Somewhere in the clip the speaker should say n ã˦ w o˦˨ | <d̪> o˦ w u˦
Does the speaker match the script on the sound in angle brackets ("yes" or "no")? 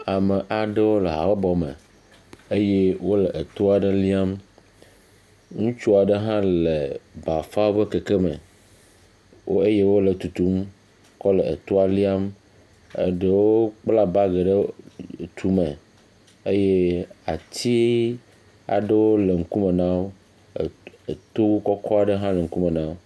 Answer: no